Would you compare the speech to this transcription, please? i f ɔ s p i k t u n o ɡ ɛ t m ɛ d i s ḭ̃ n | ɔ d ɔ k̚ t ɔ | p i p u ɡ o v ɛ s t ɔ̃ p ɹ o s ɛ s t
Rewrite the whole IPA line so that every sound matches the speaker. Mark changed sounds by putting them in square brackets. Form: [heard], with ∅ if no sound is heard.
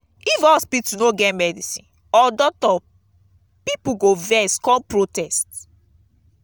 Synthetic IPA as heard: i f ɔ s p i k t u n o ɡ ɛ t m ɛ d i s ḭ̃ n | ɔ d ɔ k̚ t ɔ | p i p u ɡ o v ɛ s [k] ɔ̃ p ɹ o [t] ɛ s t